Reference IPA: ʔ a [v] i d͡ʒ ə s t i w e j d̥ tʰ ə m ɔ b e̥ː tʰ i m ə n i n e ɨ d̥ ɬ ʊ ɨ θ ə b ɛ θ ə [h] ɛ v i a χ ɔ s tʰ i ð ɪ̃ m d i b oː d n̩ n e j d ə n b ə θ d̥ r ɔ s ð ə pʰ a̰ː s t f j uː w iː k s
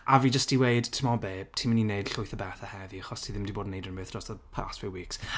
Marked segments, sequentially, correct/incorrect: correct, correct

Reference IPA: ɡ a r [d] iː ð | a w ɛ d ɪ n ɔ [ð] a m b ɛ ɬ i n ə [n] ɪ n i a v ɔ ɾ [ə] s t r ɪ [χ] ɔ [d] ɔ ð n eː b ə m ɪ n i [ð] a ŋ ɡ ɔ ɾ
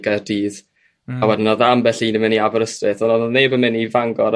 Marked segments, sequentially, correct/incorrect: correct, correct, incorrect: m, correct, incorrect: θ, incorrect: n, incorrect: v

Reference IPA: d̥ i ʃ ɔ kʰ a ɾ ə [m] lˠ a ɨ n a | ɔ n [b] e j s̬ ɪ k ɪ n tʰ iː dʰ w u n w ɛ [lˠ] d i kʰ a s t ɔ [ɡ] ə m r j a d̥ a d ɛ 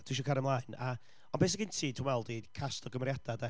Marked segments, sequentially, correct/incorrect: correct, correct, correct, correct

